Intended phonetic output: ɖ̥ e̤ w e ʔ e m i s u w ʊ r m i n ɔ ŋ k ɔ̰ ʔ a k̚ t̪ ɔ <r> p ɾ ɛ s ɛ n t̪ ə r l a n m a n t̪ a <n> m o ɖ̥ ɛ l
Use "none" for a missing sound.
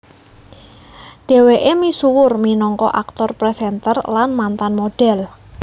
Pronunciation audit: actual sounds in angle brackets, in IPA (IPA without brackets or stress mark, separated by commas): r, n